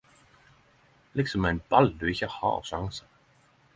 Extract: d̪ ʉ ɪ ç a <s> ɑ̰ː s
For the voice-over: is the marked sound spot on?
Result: no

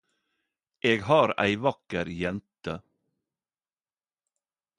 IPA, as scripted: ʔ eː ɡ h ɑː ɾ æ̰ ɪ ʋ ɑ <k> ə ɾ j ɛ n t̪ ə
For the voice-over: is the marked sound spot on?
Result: yes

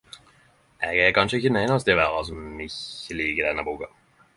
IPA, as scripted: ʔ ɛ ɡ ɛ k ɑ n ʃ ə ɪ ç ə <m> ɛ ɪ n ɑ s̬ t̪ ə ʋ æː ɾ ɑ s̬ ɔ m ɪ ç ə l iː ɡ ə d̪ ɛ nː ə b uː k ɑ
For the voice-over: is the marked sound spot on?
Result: no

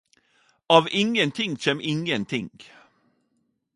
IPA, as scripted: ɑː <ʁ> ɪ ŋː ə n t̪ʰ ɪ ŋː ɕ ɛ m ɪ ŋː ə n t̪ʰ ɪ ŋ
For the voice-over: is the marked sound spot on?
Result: no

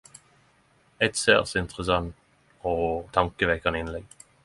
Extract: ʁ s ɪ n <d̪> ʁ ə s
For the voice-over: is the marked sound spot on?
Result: no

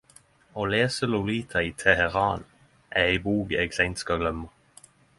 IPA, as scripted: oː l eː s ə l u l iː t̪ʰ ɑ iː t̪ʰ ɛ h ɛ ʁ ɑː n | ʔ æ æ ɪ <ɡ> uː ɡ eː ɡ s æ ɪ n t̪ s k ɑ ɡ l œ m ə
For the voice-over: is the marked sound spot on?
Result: no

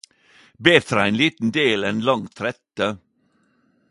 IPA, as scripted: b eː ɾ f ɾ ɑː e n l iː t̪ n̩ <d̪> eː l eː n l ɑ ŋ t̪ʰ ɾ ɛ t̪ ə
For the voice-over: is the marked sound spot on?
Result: yes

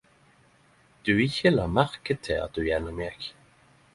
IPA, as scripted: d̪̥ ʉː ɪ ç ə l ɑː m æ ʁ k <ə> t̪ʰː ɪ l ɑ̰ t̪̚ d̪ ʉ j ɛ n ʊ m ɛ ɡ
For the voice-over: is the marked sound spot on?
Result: yes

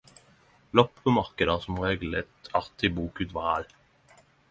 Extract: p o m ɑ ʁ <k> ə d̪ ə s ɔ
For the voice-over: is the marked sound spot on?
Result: yes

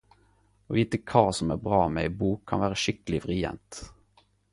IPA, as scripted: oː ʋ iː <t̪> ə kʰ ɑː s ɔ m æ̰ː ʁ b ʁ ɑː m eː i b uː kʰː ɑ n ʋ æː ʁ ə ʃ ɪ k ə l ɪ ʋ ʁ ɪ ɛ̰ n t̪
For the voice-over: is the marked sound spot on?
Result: yes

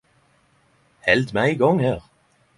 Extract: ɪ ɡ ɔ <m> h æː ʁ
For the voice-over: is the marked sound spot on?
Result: no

